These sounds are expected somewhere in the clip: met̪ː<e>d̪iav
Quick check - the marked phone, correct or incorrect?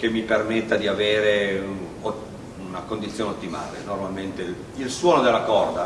incorrect